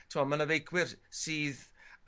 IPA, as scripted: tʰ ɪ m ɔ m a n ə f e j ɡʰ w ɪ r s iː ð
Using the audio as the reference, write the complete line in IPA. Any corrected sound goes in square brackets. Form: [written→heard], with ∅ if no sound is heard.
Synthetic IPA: tʰ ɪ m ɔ m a n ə [f→v] e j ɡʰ w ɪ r s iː ð